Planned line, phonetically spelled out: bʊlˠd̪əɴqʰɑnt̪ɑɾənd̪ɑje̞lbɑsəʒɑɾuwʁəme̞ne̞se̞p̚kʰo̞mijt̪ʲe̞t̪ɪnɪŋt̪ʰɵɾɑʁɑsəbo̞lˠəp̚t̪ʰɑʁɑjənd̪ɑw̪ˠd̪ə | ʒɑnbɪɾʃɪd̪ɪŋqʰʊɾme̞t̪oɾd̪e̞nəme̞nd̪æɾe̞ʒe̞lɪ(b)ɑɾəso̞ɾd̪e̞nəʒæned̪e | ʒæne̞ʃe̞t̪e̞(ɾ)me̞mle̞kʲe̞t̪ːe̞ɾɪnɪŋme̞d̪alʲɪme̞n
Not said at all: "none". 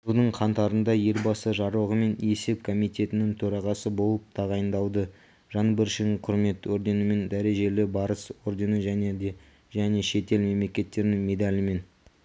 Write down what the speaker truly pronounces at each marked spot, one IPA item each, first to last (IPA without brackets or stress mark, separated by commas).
b, l